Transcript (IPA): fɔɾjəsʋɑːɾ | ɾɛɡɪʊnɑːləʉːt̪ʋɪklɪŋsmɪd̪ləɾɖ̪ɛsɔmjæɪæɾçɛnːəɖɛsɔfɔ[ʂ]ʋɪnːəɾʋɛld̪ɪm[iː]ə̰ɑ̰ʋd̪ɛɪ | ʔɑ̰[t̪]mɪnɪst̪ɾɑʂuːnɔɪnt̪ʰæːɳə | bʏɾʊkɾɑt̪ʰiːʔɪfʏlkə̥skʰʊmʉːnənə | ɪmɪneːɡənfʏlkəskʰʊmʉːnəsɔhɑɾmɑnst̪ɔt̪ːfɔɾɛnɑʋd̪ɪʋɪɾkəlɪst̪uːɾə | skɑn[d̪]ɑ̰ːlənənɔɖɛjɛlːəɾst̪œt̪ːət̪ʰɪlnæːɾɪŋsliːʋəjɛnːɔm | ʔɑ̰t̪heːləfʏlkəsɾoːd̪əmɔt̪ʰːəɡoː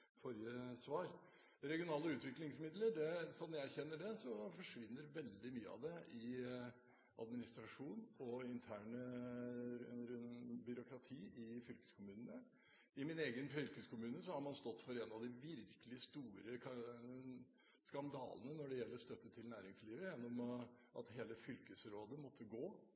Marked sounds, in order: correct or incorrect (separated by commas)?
correct, incorrect, incorrect, correct